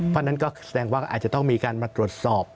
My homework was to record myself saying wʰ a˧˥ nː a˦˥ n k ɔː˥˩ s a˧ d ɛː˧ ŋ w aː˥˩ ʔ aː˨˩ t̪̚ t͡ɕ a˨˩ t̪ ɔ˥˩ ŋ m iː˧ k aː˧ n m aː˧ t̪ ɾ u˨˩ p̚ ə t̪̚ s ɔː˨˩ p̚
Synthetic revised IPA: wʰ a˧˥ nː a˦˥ n k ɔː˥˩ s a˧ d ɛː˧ ŋ w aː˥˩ ʔ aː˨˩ t̪̚ t͡ɕ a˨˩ t̪ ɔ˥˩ ŋ m iː˧ k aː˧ n m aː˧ t̪ ɾ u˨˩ ə t̪̚ s ɔː˨˩ p̚